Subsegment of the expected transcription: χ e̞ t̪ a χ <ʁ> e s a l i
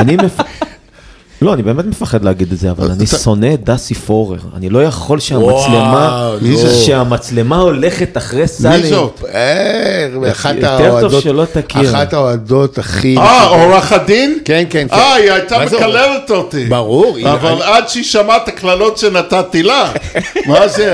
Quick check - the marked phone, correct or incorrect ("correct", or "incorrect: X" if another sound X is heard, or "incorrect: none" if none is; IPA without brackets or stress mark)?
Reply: correct